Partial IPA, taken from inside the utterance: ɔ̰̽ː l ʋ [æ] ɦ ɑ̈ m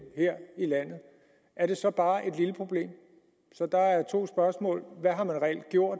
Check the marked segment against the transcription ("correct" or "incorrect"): correct